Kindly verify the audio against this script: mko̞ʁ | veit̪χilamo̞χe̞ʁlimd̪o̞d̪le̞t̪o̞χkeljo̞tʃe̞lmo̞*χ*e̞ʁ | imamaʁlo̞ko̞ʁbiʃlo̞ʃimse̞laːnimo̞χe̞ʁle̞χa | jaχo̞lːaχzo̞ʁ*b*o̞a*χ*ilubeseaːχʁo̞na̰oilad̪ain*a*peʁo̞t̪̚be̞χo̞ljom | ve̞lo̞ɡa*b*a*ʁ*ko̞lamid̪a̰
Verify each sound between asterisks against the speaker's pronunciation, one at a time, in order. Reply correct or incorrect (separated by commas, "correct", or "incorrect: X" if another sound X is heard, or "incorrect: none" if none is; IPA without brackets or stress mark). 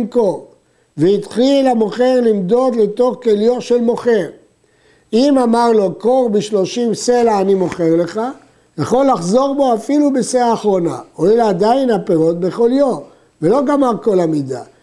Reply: correct, correct, incorrect: f, correct, incorrect: m, correct